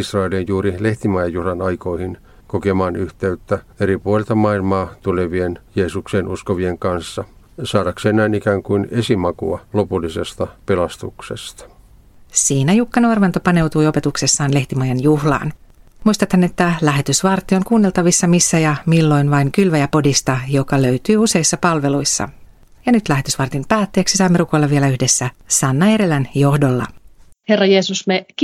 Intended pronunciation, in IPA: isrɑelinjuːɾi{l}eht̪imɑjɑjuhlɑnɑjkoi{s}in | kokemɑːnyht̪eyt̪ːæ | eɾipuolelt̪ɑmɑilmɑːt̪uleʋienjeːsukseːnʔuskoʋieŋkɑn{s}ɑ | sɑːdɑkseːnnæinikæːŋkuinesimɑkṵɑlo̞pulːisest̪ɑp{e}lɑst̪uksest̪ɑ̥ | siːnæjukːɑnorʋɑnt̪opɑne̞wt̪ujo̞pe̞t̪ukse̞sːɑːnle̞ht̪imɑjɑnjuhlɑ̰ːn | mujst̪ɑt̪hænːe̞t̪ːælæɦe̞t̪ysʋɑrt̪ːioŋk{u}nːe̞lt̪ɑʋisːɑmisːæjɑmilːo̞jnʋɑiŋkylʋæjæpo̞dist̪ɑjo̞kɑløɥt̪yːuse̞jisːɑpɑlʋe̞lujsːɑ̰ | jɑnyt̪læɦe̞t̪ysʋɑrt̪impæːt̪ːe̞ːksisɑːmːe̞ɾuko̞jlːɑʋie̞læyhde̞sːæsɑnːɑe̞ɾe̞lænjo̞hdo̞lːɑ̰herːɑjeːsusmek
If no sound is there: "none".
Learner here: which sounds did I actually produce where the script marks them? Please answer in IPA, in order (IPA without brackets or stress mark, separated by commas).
l, h, sː, e, uː